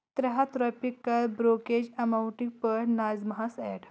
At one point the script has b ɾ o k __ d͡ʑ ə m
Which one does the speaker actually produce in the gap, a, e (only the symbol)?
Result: e